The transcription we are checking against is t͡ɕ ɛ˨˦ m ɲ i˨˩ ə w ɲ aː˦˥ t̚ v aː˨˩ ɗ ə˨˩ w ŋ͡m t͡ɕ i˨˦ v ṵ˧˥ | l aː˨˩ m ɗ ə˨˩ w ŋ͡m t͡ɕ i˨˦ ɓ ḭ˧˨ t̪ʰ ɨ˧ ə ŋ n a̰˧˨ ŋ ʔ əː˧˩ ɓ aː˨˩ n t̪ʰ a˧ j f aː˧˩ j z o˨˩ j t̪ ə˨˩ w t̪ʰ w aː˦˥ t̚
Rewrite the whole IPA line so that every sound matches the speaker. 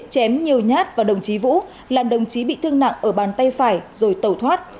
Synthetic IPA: t͡ɕ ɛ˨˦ m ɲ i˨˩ ə w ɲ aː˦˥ t̚ v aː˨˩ ɗ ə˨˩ w ŋ͡m t͡ɕ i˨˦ v ṵ˧˥ | l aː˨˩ m ɗ ə˨˩ w ŋ͡m t͡ɕ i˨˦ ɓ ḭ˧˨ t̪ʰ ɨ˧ ə ŋ n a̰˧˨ ŋ ʔ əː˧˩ ɓ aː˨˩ n t̪ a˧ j f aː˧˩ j z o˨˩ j t̪ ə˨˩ w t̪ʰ w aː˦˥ t̚